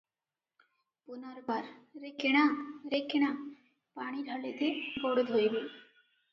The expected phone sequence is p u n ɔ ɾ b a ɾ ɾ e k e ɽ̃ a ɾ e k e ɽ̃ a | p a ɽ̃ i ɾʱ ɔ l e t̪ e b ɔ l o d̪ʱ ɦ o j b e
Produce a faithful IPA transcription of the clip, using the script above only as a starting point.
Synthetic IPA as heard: p u n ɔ ɾ b a ɾ ɾ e k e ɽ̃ a ɾ e k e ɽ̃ a | p a ɽ̃ i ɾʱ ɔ l e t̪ e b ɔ ɽ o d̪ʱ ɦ o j b e